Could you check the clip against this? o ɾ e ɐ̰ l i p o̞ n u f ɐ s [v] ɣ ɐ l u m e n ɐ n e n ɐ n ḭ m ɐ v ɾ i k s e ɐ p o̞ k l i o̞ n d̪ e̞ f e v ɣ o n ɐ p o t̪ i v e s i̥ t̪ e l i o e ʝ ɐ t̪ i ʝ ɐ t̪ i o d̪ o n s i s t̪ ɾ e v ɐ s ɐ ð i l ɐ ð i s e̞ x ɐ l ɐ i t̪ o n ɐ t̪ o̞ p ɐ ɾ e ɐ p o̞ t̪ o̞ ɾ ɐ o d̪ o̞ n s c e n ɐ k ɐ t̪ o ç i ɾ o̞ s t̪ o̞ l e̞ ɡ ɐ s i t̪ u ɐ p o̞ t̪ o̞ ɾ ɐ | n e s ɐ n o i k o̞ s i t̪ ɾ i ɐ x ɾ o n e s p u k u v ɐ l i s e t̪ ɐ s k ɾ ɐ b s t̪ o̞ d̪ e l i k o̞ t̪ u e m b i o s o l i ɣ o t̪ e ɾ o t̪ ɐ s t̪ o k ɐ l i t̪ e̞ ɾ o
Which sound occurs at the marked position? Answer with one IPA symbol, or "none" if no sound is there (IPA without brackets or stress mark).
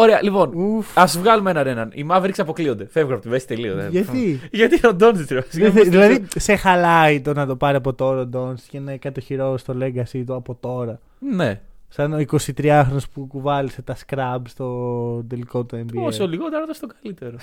v